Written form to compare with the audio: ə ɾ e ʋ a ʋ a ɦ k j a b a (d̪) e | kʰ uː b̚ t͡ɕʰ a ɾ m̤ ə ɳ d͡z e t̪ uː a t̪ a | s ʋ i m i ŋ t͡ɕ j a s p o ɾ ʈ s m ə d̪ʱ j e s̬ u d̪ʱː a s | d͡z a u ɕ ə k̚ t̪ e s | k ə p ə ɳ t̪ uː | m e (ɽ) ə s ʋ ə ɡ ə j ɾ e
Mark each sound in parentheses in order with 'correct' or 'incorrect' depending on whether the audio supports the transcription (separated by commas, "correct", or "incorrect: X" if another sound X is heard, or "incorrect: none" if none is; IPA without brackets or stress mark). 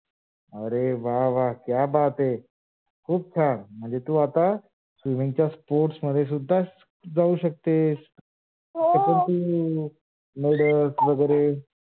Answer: incorrect: t̪, correct